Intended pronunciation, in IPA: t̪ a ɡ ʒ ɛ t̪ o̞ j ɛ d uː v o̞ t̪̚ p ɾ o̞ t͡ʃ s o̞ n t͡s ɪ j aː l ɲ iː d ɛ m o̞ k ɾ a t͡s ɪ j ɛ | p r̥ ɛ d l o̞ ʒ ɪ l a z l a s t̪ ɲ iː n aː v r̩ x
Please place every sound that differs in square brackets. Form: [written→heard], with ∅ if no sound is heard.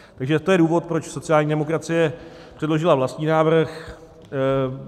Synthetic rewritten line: t̪ a ɡ ʒ ɛ t̪ o̞ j ɛ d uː v o̞ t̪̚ p ɾ o̞ t͡ʃ s o̞ [n→∅] t͡s ɪ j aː l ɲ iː d ɛ m o̞ k ɾ a t͡s ɪ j ɛ | p r̥ ɛ d l o̞ ʒ ɪ l a [z→v] l a s t̪ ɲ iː n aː v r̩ x